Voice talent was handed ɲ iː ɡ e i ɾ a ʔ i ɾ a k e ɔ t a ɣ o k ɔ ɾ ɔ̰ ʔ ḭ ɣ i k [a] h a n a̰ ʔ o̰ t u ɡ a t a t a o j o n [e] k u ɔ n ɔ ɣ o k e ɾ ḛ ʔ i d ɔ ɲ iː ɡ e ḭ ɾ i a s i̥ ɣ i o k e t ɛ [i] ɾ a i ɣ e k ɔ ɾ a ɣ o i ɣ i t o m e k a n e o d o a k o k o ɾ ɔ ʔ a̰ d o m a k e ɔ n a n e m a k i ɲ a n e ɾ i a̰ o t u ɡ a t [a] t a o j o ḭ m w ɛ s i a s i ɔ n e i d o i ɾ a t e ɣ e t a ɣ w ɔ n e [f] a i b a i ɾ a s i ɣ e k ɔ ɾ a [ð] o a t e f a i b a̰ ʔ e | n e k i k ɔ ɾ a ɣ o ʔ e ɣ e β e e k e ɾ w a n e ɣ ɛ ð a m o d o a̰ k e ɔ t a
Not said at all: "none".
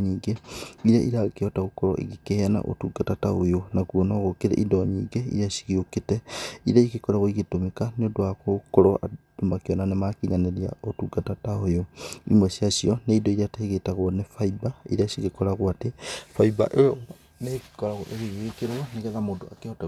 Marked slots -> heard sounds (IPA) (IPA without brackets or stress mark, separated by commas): e, a, i, a, f, ɣ